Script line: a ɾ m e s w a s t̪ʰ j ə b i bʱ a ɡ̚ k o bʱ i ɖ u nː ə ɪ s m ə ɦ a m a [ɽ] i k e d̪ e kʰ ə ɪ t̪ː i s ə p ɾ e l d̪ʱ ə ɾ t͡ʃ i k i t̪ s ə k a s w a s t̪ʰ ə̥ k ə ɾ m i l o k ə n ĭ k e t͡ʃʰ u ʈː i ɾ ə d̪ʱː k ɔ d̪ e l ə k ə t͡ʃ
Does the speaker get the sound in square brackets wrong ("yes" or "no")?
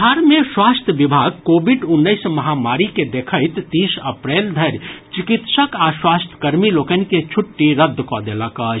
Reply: yes